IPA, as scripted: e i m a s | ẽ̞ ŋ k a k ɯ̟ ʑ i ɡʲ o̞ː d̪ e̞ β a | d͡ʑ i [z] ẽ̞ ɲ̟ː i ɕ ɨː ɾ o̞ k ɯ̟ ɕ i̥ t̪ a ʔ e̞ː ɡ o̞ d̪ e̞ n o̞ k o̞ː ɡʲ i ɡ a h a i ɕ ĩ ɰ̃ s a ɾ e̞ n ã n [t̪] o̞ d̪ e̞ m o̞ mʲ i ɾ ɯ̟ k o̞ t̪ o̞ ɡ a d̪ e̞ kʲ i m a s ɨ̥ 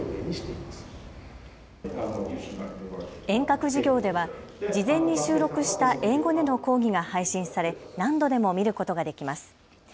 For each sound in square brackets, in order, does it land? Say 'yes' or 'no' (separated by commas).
yes, no